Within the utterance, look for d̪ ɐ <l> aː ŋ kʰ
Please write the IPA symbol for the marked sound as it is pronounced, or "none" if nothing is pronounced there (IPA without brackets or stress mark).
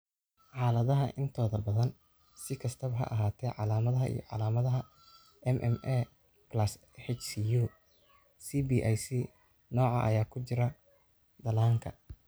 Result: l